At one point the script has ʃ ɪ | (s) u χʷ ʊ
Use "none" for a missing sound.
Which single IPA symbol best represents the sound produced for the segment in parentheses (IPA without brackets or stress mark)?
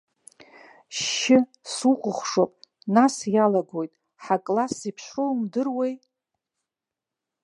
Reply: s